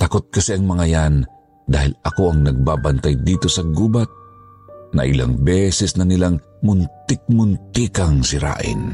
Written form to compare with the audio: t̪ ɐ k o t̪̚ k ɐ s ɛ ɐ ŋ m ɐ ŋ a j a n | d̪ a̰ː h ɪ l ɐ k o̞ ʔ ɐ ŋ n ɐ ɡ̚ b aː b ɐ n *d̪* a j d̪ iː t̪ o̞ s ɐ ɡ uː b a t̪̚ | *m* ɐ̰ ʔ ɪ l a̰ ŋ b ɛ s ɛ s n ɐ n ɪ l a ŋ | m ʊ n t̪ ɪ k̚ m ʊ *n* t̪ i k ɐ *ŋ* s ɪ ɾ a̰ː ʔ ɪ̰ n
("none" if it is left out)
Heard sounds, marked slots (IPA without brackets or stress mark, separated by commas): t̪, n, n, ŋ